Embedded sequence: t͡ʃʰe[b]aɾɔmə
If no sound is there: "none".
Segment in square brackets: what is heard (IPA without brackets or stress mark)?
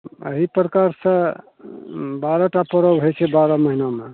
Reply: b